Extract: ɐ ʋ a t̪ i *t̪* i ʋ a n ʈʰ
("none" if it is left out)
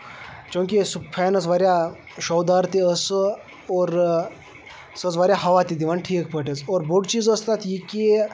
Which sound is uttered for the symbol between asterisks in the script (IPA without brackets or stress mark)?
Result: d̪